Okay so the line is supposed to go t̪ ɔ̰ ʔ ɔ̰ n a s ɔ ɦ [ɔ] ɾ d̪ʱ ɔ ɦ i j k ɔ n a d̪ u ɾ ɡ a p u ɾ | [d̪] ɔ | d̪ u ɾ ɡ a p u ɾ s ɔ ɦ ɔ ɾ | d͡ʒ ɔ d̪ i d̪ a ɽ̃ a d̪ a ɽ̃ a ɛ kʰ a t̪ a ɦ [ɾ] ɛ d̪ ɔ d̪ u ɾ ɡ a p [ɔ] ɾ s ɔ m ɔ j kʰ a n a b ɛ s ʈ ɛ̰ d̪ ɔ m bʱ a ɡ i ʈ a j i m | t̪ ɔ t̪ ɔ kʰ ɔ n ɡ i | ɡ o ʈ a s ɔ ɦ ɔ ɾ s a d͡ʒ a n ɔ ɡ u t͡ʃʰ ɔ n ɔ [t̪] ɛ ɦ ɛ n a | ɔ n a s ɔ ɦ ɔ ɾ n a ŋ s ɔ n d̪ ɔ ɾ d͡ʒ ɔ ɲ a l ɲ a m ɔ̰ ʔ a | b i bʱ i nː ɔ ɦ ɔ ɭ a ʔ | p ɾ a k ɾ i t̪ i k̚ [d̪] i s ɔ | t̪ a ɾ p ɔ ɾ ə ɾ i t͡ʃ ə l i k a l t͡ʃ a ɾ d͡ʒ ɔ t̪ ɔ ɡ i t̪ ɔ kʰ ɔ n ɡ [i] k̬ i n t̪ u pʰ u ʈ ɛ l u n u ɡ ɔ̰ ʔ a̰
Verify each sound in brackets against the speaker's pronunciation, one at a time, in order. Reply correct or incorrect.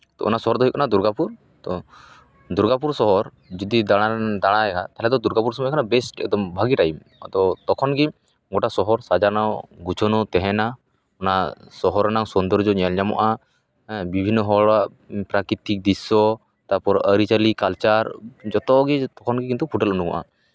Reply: correct, incorrect, incorrect, incorrect, correct, correct, correct

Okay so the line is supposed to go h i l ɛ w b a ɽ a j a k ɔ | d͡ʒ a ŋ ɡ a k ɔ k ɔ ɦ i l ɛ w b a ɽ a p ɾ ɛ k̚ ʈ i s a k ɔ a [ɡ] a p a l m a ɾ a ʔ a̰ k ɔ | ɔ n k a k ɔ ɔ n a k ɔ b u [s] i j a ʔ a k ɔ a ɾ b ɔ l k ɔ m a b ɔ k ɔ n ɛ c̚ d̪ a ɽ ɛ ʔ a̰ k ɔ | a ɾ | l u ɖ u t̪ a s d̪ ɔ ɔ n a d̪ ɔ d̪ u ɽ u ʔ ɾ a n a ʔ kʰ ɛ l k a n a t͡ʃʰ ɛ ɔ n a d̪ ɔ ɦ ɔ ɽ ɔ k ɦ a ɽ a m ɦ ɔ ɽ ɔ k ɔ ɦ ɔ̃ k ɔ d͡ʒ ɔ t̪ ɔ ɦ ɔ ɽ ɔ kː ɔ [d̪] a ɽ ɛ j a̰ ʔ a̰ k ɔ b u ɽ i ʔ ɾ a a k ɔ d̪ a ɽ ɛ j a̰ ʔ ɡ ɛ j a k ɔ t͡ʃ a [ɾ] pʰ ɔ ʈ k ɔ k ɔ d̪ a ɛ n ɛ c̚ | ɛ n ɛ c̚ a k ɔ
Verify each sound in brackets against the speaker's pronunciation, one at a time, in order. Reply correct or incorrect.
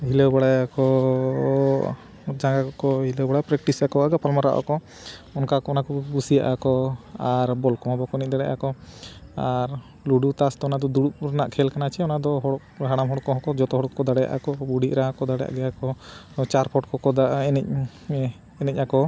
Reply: correct, correct, correct, correct

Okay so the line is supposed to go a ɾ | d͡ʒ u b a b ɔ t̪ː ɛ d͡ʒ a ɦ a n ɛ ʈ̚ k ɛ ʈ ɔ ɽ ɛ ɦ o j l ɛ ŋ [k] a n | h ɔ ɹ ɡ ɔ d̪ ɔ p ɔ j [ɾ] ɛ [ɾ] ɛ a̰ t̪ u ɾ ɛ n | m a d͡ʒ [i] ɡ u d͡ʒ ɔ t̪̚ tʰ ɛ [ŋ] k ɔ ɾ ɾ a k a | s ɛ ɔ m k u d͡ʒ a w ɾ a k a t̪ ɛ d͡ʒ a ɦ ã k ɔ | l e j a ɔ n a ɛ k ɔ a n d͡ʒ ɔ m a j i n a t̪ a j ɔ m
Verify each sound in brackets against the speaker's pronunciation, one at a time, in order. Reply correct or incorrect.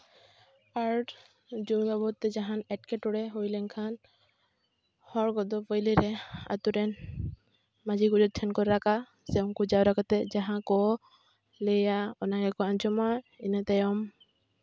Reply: incorrect, incorrect, correct, correct, incorrect

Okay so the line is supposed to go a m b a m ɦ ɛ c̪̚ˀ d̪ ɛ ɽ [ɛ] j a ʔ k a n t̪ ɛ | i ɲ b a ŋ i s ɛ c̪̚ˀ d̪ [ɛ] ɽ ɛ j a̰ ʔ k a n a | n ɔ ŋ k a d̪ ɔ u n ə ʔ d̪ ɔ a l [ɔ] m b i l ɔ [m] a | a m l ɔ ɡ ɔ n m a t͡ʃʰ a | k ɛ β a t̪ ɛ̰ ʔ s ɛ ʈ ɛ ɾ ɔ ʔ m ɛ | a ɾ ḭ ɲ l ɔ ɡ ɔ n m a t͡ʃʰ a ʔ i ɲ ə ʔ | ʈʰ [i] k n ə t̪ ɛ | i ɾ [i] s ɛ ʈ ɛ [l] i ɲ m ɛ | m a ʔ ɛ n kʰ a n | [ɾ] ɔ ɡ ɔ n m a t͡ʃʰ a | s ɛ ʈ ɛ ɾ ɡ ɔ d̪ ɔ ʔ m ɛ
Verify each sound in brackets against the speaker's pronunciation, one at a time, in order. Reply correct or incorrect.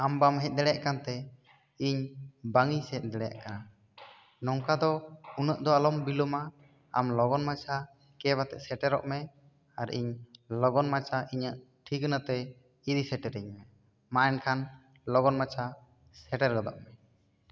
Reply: correct, correct, correct, correct, correct, correct, incorrect, incorrect

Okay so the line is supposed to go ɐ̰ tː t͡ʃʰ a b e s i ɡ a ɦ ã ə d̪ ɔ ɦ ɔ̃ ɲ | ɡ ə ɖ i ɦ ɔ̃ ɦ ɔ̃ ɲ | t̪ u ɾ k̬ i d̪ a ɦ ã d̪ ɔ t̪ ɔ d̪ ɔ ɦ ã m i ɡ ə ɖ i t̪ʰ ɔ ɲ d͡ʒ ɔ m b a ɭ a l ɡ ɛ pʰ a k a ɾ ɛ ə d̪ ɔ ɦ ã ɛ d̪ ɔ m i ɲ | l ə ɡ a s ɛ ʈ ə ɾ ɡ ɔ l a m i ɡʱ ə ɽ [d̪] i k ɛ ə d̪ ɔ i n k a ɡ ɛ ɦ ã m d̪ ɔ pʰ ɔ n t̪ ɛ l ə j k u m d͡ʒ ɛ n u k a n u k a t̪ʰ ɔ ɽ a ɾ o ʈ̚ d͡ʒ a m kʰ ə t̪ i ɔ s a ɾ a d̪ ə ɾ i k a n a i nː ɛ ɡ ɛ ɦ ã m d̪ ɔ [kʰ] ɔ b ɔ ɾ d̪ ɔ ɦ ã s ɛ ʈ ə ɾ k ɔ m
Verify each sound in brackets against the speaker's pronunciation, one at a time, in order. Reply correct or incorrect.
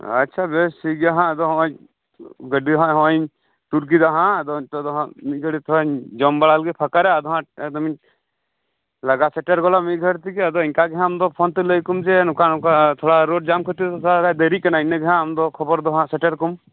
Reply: incorrect, correct

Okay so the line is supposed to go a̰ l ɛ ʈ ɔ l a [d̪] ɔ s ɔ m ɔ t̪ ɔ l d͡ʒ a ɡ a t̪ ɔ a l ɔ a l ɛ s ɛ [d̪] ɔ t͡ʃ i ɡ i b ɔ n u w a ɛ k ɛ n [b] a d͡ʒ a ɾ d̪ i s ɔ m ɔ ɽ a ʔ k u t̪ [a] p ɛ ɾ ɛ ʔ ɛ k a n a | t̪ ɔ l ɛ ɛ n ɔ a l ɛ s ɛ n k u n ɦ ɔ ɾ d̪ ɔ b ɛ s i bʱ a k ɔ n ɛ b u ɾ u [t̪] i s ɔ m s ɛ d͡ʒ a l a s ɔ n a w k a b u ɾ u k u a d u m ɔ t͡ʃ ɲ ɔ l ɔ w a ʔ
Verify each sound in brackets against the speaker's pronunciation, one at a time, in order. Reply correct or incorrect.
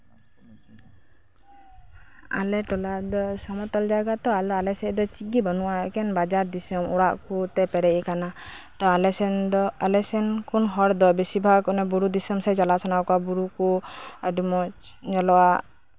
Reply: correct, correct, correct, incorrect, incorrect

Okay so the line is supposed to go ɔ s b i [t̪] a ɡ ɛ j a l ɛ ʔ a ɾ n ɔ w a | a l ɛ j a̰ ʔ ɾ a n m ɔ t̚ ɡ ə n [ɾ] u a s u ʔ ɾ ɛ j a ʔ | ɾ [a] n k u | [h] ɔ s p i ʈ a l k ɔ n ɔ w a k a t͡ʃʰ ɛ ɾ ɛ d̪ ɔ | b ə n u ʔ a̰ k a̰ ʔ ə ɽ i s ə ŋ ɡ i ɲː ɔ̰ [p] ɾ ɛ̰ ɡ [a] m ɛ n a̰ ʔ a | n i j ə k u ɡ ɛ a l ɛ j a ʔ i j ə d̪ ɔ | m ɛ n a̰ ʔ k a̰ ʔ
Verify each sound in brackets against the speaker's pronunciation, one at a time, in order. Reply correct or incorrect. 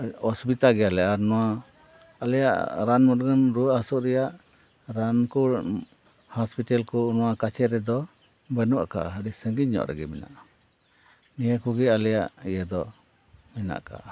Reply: correct, correct, correct, correct, incorrect, incorrect

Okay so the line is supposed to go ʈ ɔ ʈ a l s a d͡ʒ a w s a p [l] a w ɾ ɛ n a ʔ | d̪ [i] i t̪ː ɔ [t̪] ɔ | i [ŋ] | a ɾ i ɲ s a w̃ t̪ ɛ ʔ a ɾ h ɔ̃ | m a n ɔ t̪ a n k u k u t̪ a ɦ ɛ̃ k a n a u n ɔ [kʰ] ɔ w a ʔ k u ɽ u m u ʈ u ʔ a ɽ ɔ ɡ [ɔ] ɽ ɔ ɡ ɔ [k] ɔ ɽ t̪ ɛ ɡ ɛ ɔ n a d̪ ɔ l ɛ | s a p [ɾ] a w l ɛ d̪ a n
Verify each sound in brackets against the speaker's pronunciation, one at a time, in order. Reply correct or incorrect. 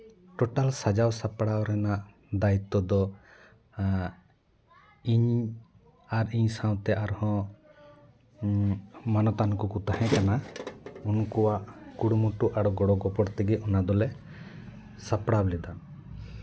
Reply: incorrect, incorrect, incorrect, incorrect, incorrect, correct, incorrect, incorrect

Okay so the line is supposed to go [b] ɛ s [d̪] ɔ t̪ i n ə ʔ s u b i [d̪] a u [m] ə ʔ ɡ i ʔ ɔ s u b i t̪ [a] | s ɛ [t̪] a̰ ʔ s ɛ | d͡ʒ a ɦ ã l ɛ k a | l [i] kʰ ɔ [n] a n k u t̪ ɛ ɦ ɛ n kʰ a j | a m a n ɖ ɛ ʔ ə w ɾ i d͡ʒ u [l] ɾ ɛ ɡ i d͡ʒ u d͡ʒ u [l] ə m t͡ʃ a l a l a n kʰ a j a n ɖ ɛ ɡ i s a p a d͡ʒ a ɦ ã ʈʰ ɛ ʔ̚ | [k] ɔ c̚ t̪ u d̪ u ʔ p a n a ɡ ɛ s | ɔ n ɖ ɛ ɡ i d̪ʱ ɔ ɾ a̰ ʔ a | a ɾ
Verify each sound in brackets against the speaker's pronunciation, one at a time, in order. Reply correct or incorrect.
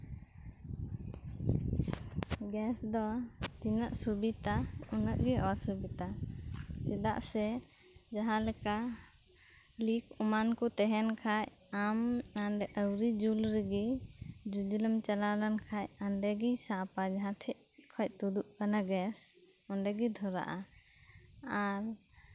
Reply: incorrect, correct, incorrect, incorrect, correct, incorrect, correct, incorrect, correct, correct, incorrect

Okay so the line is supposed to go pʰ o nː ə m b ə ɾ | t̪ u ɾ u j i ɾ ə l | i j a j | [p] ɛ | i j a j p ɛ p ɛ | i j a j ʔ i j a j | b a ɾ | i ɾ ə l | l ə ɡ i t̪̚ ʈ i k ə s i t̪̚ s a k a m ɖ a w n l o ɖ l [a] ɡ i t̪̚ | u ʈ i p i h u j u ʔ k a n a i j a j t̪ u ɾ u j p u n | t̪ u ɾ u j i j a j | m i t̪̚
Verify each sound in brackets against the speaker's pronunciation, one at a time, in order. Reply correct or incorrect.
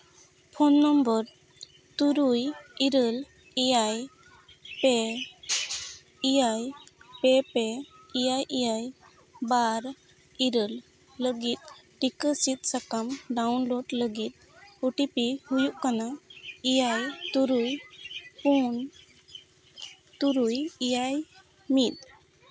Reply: correct, incorrect

